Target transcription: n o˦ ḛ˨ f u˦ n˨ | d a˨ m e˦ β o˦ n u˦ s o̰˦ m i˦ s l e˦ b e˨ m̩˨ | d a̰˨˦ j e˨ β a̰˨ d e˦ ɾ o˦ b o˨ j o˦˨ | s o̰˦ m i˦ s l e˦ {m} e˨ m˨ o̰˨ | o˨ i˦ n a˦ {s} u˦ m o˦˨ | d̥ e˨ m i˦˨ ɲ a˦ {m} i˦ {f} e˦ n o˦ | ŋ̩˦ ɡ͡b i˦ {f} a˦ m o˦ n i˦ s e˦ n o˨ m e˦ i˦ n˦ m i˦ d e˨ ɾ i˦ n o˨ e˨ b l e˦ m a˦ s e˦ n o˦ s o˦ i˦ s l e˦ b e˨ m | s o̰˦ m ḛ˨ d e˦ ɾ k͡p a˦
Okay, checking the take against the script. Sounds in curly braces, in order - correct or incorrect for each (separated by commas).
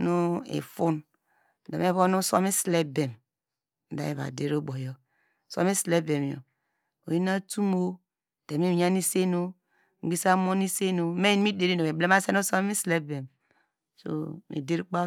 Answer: incorrect, incorrect, incorrect, incorrect, incorrect